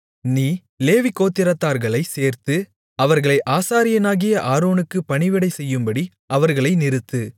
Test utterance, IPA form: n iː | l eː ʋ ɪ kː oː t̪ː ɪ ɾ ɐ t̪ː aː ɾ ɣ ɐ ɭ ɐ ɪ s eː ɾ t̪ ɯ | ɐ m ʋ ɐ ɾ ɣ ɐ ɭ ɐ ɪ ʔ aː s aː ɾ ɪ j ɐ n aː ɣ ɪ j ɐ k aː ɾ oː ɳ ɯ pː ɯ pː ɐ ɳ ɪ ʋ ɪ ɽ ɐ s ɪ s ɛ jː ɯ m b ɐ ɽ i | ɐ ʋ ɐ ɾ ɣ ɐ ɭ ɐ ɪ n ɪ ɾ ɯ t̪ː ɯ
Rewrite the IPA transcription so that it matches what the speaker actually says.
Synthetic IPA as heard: n iː | l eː ʋ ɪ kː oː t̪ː ɪ ɾ ɐ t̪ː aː ɾ ɣ ɐ ɭ ɐ ɪ s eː ɾ t̪ ɯ | ɐ ʋ ɐ ɾ ɣ ɐ ɭ ɐ ɪ ʔ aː s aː ɾ ɪ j ɐ n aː ɣ ɪ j ɐ ʔ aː ɾ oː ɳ ɯ kː ɯ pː ɐ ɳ ɪ ʋ ɪ ɽ ɐ ɪ s ɛ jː ɯ m b ɐ ɽ i | ɐ ʋ ɐ ɾ ɣ ɐ ɭ ɐ ɪ n ɪ ɾ ɯ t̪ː ɯ